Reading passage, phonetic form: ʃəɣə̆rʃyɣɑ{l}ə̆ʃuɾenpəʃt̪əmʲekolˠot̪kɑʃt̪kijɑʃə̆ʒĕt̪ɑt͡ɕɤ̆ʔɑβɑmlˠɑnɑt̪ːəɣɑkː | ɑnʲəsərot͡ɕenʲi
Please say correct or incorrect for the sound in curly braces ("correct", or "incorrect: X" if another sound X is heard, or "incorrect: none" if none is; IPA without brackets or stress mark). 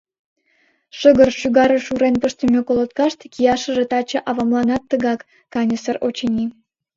incorrect: ɾ